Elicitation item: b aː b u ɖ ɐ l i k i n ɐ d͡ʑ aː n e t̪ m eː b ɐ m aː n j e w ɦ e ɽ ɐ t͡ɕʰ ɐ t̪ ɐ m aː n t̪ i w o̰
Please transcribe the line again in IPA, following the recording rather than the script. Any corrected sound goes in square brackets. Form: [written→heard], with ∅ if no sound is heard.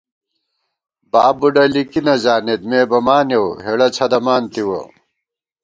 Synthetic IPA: b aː b u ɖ ɐ l i k i n ɐ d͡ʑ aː n e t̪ m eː b ɐ m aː n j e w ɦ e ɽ ɐ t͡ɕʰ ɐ [t̪→d̪] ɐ m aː n t̪ i w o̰